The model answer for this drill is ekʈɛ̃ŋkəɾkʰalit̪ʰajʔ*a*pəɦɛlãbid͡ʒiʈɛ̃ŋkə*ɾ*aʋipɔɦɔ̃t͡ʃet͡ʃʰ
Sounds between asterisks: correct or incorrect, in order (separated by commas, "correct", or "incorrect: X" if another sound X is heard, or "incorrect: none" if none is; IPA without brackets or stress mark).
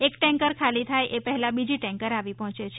incorrect: e, correct